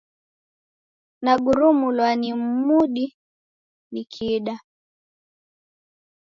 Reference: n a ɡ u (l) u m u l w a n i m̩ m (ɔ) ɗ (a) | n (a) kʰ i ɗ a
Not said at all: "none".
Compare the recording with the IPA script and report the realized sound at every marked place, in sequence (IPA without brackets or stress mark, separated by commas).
ɾ, u, i, i